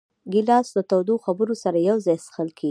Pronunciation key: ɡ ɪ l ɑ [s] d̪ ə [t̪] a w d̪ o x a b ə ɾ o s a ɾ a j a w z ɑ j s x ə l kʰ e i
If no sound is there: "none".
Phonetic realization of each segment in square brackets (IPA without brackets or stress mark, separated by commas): s, t̪